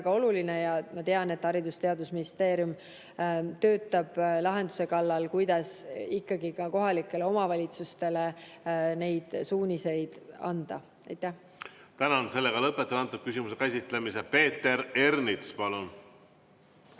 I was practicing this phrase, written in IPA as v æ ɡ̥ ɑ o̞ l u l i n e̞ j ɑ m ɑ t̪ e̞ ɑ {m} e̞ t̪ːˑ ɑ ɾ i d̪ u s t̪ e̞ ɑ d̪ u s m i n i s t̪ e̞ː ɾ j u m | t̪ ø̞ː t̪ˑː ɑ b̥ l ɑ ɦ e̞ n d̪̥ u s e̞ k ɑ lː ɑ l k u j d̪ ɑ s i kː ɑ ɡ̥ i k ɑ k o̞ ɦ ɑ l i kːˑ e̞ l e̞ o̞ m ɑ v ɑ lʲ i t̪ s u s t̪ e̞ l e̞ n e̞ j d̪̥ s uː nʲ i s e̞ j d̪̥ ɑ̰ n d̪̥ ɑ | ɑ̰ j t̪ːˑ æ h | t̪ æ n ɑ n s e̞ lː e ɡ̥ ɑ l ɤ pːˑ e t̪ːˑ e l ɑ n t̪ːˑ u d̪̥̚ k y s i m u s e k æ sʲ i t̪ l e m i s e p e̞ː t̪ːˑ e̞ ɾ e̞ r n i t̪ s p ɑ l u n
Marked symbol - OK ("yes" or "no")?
no